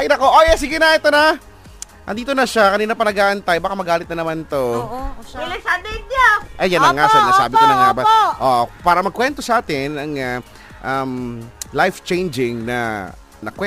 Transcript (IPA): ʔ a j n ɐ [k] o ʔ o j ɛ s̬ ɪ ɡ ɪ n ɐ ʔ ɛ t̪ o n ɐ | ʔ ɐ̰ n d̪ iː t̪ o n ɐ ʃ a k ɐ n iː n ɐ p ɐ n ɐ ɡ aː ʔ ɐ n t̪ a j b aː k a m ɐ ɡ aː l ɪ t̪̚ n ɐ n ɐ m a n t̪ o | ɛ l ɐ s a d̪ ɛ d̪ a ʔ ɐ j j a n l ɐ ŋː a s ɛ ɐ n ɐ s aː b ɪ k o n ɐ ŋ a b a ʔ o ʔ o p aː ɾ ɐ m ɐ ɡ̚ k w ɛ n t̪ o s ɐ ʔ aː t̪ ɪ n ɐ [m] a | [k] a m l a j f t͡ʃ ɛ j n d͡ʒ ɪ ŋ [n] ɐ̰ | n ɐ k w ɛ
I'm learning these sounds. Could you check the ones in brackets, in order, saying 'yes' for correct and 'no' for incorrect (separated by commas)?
yes, no, no, yes